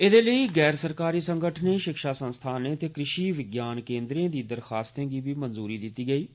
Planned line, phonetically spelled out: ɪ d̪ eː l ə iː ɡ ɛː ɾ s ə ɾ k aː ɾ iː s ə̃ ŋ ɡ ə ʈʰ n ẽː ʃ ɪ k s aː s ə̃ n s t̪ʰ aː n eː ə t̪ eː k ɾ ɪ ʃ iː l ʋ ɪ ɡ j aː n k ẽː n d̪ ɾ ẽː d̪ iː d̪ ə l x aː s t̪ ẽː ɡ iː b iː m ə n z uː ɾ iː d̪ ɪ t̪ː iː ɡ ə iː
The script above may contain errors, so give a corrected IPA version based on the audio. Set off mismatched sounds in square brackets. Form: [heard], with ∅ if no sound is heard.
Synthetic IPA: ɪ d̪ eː l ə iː ɡ ɛː ɾ s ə ɾ k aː ɾ iː s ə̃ ŋ ɡ ə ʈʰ n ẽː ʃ ɪ k [ʃ] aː s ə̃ n s t̪ʰ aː n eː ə t̪ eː k ɾ ɪ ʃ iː [∅] ʋ ɪ ɡ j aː n k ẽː n d̪ ɾ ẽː d̪ iː d̪ ə [ɾ] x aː s t̪ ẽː ɡ iː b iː m ə n z uː ɾ iː d̪ ɪ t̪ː iː ɡ ə iː